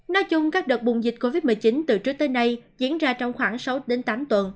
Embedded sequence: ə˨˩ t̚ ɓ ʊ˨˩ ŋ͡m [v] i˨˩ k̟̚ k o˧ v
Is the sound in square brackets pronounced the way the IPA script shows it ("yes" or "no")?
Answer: no